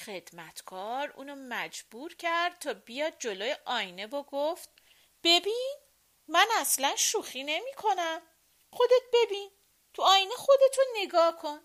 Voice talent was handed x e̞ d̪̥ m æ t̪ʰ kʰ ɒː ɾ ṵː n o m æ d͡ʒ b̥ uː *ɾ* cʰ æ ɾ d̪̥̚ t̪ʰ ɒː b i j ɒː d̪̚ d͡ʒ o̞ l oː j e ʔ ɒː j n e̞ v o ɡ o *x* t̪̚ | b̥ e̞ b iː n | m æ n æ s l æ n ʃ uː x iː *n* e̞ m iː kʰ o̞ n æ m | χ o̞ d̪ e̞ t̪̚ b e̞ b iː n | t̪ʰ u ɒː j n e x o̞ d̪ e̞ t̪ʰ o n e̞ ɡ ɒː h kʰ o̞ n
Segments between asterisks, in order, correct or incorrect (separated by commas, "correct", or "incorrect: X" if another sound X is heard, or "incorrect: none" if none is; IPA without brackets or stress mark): correct, incorrect: f, correct